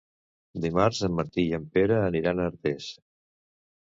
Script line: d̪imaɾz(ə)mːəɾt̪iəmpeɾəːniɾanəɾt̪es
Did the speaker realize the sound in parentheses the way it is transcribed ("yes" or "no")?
yes